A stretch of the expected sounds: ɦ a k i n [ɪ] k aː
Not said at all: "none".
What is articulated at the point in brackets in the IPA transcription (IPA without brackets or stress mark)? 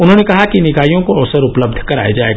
ɪ